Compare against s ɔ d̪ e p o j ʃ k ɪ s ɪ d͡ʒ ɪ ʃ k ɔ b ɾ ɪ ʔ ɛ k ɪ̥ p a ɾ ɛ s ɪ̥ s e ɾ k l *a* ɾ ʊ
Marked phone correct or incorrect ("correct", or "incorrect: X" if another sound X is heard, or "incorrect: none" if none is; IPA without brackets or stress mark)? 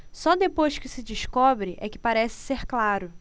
correct